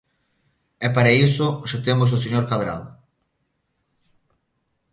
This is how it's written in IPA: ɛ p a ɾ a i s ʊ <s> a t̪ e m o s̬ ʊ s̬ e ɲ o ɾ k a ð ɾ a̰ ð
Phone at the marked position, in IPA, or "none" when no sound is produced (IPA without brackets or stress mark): ʃ